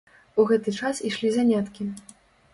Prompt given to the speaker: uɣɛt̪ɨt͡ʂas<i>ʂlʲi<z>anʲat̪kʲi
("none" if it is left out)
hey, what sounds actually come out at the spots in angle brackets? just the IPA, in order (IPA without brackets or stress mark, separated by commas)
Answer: i, z